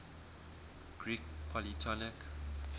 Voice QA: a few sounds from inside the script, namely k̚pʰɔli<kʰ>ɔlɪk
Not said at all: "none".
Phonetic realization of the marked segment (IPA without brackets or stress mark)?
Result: tʰ